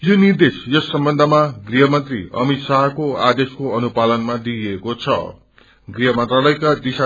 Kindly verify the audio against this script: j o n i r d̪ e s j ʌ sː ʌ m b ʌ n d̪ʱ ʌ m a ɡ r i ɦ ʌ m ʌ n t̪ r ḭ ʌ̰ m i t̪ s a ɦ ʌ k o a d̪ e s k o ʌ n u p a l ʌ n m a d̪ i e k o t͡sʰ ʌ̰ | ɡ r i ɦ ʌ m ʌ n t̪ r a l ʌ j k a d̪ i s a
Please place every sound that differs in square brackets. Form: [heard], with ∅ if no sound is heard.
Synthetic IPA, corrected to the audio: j o n i r d̪ e s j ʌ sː ʌ m b ʌ n d̪ʱ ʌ m a ɡ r i ɦ ʌ m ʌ n t̪ r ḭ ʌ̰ m i t̪ s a ɦ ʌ k o a d̪ e s k o ʌ n u p a l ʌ n m a d̪ i e k o t͡sʰ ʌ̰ | ɡ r i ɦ ʌ m ʌ n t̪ r a l ʌ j k a d̪ i s a